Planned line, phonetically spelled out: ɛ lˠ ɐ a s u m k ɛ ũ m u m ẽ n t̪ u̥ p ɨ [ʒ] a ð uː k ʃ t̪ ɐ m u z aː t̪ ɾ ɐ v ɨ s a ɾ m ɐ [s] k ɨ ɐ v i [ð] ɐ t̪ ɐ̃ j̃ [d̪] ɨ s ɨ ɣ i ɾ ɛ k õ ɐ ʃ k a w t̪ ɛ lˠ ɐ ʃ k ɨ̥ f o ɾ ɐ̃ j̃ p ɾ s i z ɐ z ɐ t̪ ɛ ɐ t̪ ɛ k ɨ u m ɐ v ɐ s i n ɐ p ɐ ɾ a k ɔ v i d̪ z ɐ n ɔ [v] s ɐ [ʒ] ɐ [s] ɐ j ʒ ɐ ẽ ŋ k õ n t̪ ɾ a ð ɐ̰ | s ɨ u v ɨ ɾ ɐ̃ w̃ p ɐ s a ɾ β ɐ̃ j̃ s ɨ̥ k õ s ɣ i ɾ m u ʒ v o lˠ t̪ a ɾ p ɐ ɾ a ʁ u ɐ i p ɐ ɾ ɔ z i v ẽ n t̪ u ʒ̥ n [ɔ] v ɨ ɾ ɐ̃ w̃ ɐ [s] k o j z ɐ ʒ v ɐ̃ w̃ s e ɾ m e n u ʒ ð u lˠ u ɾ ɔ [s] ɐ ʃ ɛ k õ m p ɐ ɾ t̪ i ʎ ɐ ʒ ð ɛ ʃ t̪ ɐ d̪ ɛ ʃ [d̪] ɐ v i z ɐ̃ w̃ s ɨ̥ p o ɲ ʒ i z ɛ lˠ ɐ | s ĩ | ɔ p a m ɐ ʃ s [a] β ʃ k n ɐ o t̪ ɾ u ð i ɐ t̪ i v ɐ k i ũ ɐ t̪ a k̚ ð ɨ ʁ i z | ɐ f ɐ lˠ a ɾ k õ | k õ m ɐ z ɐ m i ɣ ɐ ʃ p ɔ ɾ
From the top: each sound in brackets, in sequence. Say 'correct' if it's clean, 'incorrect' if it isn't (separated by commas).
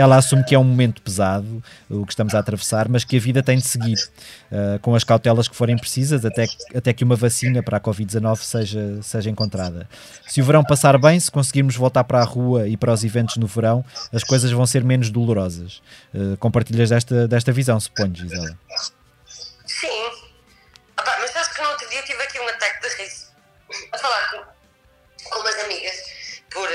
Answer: incorrect, incorrect, correct, correct, correct, correct, correct, incorrect, incorrect, incorrect, incorrect, correct